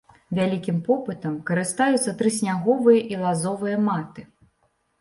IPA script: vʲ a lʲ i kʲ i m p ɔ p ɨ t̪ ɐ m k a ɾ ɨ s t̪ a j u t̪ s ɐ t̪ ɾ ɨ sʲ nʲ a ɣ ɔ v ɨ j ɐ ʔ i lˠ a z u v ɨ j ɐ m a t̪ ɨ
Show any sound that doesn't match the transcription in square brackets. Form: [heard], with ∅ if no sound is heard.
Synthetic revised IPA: vʲ a lʲ i kʲ i m p ɔ p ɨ t̪ ɐ m k [ɐ] ɾ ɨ s t̪ a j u t̪ s ɐ t̪ ɾ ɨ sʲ nʲ a ɣ ɔ v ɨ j ɐ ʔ i lˠ a z [ɔ] v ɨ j ɐ m a t̪ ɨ